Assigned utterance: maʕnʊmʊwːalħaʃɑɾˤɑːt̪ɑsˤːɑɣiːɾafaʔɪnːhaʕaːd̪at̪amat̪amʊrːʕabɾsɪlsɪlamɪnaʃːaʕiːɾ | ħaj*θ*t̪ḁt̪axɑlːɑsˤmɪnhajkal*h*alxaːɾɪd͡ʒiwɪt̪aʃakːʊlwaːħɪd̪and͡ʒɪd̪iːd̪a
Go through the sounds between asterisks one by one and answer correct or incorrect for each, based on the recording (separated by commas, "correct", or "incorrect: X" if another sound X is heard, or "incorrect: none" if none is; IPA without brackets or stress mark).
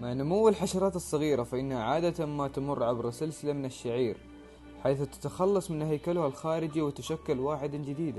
correct, correct